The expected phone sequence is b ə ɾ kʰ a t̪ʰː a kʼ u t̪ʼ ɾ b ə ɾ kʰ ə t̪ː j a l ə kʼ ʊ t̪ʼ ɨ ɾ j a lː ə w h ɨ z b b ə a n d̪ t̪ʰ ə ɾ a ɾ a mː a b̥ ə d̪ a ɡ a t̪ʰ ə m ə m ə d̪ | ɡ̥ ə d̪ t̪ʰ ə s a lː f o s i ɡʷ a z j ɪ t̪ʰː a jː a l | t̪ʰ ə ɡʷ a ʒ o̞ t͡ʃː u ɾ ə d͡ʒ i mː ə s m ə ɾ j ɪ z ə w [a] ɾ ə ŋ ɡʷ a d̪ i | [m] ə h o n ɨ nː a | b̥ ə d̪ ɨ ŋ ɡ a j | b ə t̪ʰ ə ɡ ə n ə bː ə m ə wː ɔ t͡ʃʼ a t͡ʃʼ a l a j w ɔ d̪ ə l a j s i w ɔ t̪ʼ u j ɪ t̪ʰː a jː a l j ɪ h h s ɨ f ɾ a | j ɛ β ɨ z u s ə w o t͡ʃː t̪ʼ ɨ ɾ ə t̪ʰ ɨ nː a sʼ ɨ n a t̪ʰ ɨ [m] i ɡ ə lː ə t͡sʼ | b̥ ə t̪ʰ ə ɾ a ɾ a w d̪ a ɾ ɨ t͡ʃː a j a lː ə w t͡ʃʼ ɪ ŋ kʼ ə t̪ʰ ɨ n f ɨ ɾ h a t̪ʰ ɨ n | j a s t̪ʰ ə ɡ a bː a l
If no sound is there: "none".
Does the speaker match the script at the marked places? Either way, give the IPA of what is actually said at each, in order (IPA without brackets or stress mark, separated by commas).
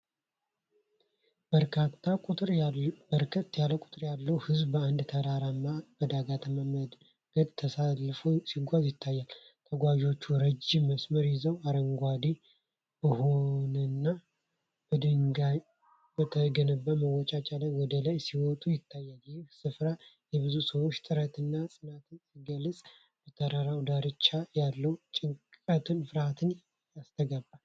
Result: a, b, n